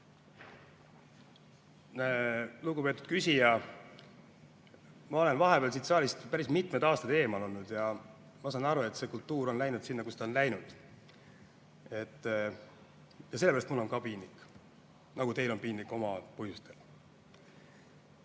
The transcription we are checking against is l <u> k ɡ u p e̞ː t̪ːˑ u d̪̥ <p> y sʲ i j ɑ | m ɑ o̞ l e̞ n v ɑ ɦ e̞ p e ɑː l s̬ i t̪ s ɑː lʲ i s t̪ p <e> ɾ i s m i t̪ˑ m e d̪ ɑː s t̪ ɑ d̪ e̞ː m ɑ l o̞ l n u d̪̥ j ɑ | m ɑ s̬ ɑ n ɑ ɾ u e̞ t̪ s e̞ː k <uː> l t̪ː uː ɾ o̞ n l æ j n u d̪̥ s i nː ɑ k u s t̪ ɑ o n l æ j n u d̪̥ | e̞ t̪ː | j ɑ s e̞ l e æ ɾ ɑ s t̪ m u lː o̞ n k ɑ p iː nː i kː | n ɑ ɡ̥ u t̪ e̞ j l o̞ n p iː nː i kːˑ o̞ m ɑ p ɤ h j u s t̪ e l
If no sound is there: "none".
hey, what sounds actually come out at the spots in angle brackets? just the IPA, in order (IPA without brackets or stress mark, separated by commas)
u, k, æ, u